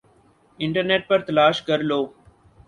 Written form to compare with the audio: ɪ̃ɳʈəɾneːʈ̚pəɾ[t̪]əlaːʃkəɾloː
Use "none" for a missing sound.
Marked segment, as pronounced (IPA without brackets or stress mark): t̪